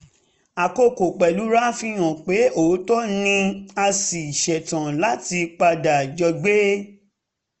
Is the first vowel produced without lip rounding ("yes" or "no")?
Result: yes